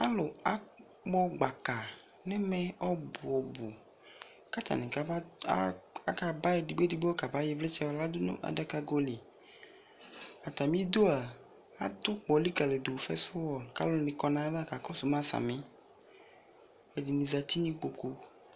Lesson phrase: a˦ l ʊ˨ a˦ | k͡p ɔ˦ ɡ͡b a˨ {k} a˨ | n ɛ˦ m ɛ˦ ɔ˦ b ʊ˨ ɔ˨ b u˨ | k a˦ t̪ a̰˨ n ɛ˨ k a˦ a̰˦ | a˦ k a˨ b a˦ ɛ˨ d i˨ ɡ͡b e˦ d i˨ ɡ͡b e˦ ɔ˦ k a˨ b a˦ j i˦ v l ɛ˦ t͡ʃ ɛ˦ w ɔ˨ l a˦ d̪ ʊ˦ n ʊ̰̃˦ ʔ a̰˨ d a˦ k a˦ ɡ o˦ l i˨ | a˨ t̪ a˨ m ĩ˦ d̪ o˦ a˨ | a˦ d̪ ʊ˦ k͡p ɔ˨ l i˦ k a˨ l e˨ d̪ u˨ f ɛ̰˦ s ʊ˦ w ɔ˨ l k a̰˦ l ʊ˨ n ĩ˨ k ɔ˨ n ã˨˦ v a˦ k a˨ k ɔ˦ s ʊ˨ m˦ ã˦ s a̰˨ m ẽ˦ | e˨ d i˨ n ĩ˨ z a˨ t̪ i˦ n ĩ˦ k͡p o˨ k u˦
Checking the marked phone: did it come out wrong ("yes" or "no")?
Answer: no